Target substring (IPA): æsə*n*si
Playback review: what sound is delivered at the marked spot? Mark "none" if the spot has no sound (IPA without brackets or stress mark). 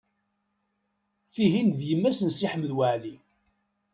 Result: n